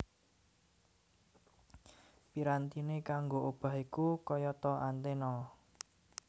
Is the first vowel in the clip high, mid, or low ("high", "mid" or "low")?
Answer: high